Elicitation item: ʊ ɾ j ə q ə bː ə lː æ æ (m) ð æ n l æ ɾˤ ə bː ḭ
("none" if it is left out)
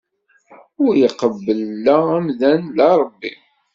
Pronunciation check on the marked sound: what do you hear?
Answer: m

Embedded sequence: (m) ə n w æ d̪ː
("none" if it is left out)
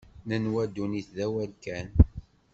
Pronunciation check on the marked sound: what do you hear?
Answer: n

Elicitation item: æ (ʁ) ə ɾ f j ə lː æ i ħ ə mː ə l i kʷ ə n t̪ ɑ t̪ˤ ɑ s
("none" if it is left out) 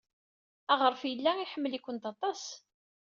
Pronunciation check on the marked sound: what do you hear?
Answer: ʁ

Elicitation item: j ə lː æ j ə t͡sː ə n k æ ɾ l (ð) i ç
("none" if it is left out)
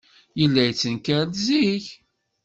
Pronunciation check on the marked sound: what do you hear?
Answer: z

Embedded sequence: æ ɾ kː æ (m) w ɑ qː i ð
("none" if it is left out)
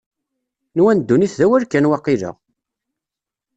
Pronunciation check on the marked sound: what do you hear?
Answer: n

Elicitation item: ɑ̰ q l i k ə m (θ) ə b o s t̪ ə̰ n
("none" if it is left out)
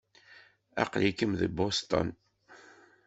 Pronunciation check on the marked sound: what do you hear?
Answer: ð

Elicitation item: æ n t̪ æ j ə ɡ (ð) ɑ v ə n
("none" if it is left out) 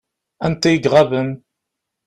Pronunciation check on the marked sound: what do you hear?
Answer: ʁ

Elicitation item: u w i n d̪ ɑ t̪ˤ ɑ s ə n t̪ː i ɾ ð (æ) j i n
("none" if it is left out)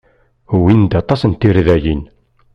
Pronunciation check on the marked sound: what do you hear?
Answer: æ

